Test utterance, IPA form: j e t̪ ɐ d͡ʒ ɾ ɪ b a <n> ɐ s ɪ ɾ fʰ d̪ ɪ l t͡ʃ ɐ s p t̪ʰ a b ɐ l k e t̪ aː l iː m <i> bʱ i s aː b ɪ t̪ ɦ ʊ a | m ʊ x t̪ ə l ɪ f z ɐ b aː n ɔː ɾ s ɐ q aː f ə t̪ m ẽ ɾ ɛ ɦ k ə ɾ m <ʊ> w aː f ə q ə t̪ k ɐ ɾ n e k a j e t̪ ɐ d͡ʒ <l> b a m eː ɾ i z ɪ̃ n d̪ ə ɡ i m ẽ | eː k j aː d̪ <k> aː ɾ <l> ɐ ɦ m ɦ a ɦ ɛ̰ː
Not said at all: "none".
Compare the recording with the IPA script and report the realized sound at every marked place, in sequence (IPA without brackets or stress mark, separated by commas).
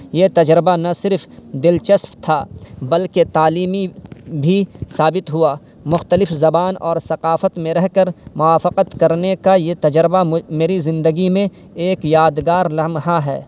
n, i, ʊ, ɾ, ɡ, l